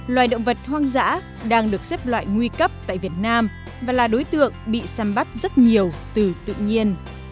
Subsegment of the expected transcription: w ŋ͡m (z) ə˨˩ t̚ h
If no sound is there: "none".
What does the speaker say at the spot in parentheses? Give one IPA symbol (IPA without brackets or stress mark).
v